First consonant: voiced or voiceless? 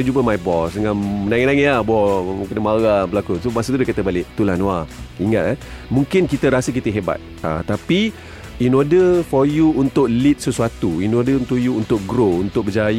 voiced